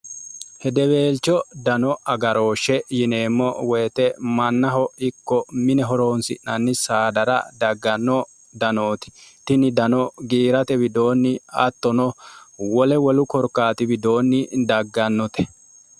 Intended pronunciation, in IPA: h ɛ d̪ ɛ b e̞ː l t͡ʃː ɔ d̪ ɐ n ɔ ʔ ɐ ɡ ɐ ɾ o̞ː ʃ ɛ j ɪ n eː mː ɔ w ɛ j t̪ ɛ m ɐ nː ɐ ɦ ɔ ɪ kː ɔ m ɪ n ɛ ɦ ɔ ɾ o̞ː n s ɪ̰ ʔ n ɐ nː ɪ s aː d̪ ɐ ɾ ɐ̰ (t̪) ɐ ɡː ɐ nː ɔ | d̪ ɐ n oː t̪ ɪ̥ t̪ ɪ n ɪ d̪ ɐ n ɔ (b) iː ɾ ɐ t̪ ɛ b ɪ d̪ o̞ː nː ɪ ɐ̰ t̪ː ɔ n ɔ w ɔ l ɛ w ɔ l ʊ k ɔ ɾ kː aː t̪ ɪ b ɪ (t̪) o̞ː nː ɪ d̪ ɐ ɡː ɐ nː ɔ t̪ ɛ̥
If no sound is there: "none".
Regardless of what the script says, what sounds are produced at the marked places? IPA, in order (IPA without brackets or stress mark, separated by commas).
d̪, ɡ, d̪